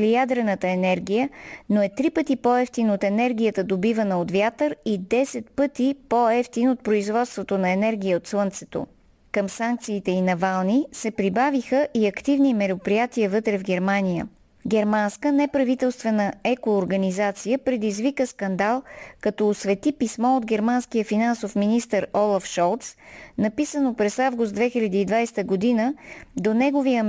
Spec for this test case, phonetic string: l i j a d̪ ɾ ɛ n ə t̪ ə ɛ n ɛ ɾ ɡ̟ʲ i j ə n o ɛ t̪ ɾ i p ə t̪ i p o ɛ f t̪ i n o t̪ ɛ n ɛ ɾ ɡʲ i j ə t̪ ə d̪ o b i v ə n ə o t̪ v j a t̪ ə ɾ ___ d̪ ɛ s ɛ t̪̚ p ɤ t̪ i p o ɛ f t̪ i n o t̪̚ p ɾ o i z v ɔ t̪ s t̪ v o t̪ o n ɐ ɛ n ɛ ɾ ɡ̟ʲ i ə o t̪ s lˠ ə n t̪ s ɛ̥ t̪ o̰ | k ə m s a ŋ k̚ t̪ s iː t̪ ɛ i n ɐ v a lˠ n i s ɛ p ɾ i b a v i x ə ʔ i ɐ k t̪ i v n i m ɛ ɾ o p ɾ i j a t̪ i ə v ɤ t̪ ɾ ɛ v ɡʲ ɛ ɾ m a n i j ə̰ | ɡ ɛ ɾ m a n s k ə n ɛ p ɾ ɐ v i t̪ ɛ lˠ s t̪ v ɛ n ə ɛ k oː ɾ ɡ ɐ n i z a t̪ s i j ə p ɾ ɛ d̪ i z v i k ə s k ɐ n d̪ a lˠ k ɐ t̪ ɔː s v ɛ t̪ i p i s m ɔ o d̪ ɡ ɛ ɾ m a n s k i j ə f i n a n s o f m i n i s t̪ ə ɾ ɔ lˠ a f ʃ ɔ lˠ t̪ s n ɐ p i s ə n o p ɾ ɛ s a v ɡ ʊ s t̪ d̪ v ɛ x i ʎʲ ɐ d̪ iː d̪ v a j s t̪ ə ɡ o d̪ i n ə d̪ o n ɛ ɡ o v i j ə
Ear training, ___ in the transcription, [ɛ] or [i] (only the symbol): i